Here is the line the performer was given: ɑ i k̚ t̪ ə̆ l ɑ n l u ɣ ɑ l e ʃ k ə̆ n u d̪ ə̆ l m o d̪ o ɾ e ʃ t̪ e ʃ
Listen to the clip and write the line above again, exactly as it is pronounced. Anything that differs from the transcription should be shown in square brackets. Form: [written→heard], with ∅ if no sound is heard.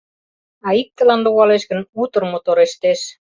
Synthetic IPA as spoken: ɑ i k̚ t̪ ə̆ l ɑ n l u ɣ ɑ l e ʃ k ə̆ n u [d̪→t̪] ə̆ [l→r] m o [d̪→t̪] o ɾ e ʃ t̪ e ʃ